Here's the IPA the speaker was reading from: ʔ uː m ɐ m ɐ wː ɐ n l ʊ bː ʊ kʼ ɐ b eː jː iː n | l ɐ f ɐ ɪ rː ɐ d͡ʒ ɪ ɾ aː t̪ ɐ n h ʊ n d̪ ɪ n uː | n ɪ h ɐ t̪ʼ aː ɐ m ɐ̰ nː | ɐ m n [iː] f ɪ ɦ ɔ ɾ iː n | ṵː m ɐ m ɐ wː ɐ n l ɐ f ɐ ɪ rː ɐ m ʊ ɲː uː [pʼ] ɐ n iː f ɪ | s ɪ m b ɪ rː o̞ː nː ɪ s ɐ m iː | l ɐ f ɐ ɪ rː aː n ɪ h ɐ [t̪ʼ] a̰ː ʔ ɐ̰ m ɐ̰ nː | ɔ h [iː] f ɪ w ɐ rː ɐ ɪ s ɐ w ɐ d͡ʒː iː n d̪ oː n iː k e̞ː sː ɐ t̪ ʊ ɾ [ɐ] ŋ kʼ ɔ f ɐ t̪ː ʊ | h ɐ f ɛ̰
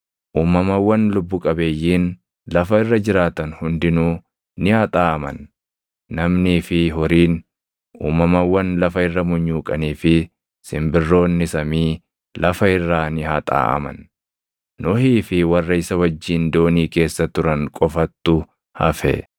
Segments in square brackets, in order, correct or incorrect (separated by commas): correct, incorrect, correct, correct, correct